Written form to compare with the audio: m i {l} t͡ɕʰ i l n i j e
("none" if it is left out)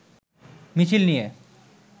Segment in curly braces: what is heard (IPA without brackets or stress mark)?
none